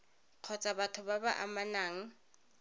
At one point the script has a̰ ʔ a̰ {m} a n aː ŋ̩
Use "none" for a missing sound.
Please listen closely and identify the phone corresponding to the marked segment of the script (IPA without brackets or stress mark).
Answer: m